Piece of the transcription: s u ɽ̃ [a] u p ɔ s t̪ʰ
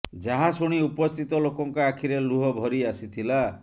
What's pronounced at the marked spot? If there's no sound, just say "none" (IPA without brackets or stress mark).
i